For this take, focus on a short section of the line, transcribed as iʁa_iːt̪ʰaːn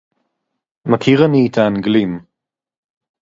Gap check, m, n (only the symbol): n